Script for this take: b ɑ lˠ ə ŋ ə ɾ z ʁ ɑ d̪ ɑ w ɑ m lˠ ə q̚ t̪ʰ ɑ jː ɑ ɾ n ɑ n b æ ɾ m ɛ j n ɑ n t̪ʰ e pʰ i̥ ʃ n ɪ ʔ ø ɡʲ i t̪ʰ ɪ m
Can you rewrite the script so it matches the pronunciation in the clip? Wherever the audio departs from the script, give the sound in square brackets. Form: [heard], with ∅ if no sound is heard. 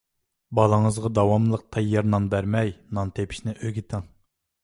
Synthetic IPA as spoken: b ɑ lˠ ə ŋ ə [∅] z ʁ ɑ d̪ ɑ w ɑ m lˠ ə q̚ t̪ʰ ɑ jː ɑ ɾ n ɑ n b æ ɾ m ɛ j n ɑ n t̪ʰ e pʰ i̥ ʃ n ɪ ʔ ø ɡʲ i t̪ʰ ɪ [ŋ]